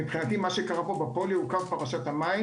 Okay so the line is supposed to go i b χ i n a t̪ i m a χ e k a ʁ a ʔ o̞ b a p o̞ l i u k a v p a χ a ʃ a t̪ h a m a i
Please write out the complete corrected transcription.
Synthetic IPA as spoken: i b χ i n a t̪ i m a ʃ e k a ʁ a p o̞ b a p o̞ l i u k a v p a ʁ a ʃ a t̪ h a m a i